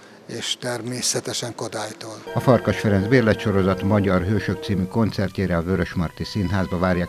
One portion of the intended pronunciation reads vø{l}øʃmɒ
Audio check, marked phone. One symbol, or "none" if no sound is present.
ɾ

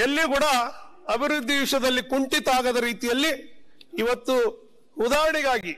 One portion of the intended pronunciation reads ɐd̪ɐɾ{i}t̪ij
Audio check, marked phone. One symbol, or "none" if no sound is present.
iː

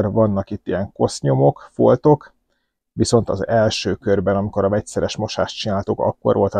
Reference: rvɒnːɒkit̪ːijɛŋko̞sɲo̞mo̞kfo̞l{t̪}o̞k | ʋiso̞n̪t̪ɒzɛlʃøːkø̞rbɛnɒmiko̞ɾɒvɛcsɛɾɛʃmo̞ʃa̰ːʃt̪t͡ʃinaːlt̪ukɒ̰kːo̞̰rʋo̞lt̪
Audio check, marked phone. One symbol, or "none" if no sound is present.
t̪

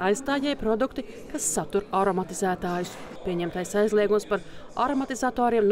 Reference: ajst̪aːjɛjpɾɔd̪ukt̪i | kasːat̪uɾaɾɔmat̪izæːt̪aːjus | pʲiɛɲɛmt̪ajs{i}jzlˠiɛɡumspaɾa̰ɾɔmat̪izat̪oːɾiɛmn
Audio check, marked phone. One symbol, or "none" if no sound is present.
a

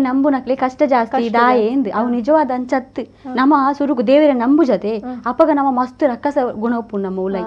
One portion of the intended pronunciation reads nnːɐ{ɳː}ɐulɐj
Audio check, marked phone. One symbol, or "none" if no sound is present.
mː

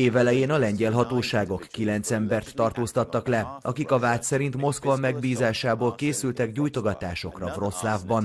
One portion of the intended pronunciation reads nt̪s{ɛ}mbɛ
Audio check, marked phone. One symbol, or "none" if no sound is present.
ɛ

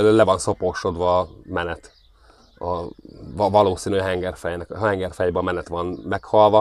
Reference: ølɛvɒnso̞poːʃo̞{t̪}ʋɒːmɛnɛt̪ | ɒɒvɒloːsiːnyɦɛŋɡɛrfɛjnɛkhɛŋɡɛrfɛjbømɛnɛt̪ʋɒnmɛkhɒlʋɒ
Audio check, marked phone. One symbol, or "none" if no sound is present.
d̪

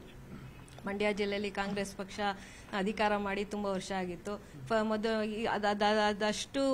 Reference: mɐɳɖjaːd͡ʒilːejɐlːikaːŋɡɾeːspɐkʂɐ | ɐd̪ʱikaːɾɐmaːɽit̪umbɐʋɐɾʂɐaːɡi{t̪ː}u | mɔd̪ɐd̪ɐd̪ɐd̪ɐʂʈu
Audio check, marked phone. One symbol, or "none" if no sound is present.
t̪ː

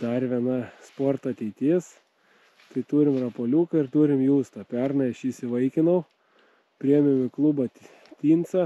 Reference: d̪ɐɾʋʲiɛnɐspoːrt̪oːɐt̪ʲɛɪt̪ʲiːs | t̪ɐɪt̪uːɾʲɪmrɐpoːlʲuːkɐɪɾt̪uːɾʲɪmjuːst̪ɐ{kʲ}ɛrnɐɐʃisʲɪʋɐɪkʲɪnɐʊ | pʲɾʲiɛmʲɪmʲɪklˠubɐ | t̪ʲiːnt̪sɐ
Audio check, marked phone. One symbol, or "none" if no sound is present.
pʲ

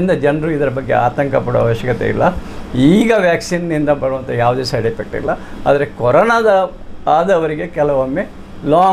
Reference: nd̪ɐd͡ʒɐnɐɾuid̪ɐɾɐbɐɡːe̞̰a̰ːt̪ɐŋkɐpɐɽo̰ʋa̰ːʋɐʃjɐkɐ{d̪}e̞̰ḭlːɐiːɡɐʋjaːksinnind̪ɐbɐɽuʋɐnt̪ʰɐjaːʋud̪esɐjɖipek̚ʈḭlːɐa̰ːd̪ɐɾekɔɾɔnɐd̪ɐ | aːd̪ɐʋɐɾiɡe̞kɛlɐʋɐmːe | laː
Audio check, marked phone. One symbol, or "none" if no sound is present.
t̪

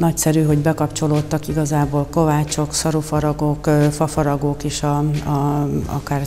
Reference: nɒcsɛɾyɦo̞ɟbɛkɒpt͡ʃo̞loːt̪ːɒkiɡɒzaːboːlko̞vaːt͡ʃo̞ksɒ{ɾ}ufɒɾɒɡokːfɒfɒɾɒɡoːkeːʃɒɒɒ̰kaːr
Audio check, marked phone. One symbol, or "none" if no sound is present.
ɾ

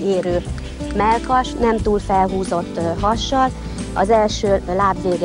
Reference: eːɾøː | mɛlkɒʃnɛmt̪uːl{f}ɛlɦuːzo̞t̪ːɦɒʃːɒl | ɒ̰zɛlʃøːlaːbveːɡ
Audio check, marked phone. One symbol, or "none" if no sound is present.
f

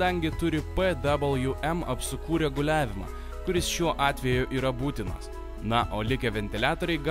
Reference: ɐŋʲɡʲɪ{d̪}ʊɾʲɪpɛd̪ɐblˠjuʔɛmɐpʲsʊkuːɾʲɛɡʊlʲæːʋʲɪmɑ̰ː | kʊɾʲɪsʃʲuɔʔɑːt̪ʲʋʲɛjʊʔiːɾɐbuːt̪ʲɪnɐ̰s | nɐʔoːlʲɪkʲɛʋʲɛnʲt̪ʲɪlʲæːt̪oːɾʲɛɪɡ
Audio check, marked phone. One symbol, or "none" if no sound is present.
t̪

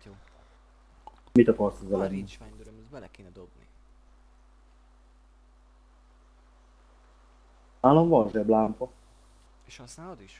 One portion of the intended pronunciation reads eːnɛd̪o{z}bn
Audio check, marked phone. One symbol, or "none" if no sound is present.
none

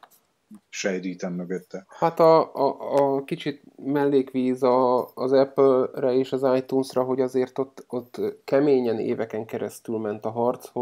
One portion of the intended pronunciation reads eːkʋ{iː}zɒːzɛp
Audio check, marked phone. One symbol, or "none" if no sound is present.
iː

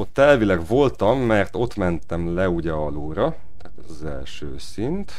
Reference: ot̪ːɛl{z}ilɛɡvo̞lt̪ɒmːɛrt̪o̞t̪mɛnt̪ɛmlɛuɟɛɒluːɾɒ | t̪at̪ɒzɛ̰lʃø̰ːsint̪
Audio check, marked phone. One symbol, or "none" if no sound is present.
v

